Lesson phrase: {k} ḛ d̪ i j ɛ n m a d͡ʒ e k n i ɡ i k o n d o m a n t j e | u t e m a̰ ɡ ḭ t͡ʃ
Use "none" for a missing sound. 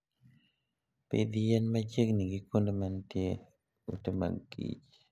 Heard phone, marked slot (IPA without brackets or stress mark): p